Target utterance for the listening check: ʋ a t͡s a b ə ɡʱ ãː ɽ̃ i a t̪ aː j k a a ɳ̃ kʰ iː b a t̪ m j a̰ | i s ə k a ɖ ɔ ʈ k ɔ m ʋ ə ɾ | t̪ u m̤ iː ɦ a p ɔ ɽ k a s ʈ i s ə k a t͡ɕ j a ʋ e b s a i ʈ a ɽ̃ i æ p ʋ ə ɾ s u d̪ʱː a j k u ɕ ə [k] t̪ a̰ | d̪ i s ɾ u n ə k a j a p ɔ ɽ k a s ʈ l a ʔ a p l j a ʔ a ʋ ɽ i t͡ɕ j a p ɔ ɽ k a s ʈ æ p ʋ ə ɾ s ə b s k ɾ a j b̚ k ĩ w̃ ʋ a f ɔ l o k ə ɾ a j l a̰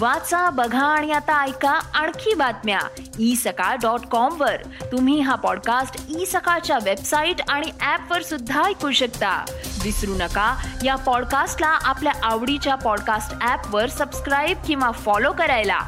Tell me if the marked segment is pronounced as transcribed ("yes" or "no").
yes